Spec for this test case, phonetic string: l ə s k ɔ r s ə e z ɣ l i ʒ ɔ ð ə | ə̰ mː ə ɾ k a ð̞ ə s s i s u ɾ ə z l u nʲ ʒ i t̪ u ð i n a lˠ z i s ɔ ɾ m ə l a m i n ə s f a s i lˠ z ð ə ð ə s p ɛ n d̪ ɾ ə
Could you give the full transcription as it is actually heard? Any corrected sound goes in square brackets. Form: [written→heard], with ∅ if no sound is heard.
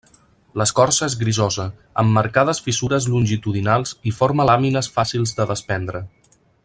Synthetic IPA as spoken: l ə s k ɔ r s ə e z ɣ [l→ɾ] i [ʒ→z] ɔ [ð→z] ə | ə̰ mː ə ɾ k a ð̞ ə s [s→f] i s u ɾ ə z l u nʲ ʒ i t̪ u ð i n a lˠ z i [s→f] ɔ ɾ m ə l a m i n ə s f a s i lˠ z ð ə ð ə s p ɛ n d̪ ɾ ə